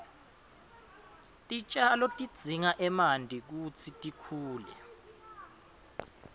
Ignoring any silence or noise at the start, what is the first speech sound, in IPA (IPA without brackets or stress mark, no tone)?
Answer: tʼ